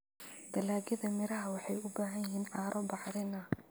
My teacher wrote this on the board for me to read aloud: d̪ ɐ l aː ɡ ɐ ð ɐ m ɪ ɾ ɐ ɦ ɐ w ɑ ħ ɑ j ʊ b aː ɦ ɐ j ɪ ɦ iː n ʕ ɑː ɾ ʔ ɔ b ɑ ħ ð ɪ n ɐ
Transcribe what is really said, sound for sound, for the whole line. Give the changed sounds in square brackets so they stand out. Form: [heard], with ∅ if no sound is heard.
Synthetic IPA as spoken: d̪ ɐ l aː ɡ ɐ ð ɐ m ɪ ɾ ɐ ɦ ɐ w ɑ ħ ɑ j ʊ b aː ɦ ɐ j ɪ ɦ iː n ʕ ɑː ɾ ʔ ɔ b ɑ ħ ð ɪ n ɐ